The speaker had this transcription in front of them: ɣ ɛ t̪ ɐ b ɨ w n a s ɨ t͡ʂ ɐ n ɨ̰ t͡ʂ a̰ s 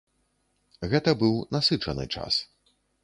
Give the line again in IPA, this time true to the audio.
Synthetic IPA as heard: ɣ ɛ t̪ ɐ b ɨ w n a s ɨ t͡ʂ ɐ n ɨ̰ t͡ʂ a̰ s